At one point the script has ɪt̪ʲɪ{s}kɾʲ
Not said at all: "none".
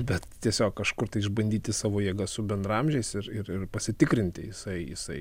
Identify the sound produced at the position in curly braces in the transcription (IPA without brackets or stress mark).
none